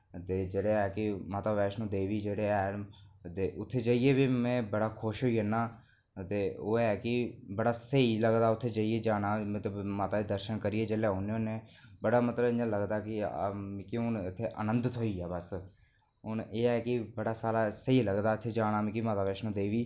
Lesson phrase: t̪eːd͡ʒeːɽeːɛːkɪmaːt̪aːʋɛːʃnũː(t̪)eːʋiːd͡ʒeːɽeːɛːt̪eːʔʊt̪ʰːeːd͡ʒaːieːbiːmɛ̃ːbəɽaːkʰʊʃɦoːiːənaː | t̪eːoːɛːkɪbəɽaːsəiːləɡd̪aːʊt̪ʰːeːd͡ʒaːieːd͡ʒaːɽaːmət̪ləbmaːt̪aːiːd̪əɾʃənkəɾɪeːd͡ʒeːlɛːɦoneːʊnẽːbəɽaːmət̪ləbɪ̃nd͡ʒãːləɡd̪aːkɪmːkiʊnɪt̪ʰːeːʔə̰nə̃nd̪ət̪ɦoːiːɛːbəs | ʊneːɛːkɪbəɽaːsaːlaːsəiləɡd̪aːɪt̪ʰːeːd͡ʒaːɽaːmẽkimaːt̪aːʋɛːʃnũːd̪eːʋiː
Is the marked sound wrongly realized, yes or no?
yes